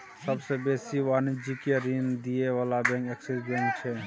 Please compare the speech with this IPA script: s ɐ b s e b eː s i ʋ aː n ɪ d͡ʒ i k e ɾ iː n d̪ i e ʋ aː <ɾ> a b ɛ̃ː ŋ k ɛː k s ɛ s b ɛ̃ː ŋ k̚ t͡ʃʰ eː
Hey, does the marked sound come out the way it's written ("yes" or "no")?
no